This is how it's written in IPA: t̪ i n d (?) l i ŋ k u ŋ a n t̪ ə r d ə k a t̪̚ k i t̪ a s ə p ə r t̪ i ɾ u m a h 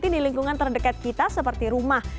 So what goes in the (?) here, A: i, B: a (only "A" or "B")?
A